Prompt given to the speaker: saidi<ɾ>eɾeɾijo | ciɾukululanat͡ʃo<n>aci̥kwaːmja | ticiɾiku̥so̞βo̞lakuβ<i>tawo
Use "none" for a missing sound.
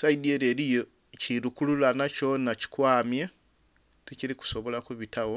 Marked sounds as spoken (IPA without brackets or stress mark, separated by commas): none, n, i